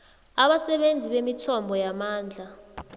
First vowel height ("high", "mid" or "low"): low